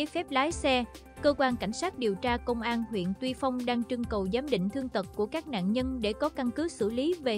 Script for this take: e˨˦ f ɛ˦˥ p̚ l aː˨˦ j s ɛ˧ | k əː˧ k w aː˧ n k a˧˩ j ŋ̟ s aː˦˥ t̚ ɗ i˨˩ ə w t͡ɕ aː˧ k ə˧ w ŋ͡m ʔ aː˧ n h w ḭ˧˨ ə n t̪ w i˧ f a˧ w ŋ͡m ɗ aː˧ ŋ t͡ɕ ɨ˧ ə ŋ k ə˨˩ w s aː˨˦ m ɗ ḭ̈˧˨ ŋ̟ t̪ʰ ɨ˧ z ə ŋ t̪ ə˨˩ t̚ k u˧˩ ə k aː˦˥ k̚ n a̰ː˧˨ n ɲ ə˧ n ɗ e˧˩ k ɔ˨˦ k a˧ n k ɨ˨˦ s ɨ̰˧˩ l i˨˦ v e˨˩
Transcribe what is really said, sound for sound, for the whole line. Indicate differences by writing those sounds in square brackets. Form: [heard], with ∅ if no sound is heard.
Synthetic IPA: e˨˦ f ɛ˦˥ p̚ l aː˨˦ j s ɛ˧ | k əː˧ k w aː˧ n k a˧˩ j ŋ̟ s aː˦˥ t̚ ɗ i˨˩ ə w t͡ɕ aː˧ k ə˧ w ŋ͡m ʔ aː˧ n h w ḭ˧˨ ə n t̪ w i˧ f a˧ w ŋ͡m ɗ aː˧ ŋ t͡ɕ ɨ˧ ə ŋ k ə˨˩ w [z] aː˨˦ m ɗ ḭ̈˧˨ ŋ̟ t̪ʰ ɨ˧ [∅] ə ŋ t̪ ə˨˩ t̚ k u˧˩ ə k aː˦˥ k̚ n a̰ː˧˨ n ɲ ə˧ n ɗ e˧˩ k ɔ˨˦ k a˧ n k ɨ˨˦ s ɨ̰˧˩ l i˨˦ v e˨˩